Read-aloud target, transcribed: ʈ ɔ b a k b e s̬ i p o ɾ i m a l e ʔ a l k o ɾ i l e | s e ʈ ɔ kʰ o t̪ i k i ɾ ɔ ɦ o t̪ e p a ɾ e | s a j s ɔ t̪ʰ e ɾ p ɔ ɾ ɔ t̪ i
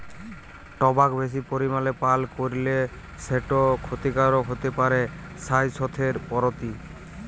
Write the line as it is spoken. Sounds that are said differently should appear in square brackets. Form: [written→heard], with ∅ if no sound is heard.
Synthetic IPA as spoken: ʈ ɔ b a k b e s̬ i p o ɾ i m a l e [ʔ→p] a l k o ɾ i l e | s e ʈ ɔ kʰ o t̪ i k [i→a] ɾ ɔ ɦ o t̪ e p a ɾ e | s a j s ɔ t̪ʰ e ɾ p ɔ ɾ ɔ t̪ i